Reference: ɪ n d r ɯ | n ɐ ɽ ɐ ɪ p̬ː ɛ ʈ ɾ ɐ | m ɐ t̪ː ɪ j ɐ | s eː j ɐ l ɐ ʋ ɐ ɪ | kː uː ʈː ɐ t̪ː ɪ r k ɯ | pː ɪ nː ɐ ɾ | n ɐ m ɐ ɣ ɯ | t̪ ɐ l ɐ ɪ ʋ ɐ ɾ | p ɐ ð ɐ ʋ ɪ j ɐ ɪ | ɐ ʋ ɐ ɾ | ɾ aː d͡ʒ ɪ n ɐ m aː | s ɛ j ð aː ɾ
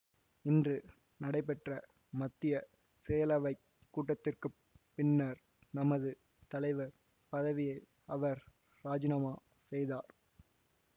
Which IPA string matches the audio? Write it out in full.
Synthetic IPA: ɪ n d r ɯ | n ɐ ɽ ɐ ɪ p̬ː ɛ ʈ r ɐ | m ɐ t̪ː ɪ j ɐ | s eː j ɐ l ɐ ʋ ɐ ɪ | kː uː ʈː ɐ t̪ː ɪ r k ɯ | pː ɪ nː ɐ ɾ | n ɐ m ɐ ð ɯ | t̪ ɐ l ɐ ɪ ʋ ɐ ɾ | p ɐ ð ɐ ʋ ɪ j ɐ ɪ | ɐ ʋ ɐ ɾ | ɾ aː d͡ʒ ɪ n ɐ m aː | s ɛ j ð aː ɾ